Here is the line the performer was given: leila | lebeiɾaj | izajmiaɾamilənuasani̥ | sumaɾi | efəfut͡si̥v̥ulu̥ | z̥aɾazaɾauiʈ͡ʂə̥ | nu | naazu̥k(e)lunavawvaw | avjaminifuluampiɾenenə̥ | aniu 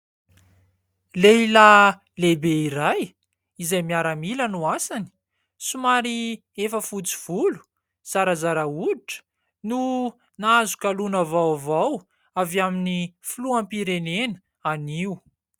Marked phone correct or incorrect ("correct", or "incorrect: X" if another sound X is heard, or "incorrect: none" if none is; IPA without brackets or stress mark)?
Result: incorrect: a